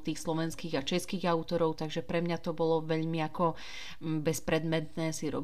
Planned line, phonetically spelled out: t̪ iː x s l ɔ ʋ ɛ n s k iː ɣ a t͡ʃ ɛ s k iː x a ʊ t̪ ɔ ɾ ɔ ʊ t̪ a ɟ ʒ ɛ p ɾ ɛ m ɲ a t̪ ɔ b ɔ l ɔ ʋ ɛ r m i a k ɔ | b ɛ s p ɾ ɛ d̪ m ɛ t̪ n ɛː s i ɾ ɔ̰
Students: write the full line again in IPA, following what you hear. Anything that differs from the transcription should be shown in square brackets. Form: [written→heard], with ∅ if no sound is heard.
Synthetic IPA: t̪ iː x s l ɔ ʋ ɛ n s k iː ɣ a t͡ʃ ɛ s k iː [x→ɣ] a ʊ t̪ ɔ ɾ ɔ ʊ t̪ a [ɟ→ɡ] ʒ ɛ p ɾ ɛ m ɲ a t̪ ɔ b ɔ l ɔ ʋ ɛ [r→ʎ] m i a k ɔ | b ɛ s p ɾ ɛ d̪ m ɛ t̪ n ɛː s i ɾ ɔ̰